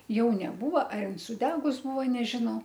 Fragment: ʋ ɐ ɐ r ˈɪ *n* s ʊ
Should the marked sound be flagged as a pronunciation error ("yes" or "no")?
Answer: no